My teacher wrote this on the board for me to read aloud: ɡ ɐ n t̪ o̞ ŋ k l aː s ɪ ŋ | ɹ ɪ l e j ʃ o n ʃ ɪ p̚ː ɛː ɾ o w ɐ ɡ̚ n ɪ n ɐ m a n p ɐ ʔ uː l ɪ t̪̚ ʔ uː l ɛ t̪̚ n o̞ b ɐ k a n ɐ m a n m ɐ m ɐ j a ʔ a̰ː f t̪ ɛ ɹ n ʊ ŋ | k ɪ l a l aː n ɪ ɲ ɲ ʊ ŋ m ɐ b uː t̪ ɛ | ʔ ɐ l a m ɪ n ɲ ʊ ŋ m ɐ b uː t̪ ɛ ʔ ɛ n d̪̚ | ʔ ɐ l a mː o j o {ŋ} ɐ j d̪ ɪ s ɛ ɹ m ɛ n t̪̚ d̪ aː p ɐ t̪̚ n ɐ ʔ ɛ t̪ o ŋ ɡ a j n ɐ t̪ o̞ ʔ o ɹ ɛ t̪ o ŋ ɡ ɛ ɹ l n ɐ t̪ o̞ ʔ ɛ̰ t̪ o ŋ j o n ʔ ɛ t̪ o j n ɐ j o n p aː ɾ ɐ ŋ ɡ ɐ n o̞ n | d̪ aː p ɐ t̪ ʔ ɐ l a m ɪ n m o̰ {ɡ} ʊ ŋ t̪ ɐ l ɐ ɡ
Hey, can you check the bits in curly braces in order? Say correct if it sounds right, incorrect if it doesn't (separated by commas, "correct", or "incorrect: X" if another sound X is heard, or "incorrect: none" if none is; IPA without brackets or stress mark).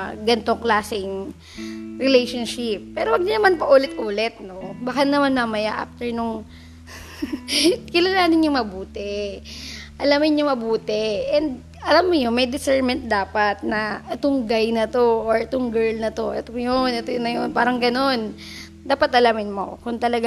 incorrect: m, incorrect: k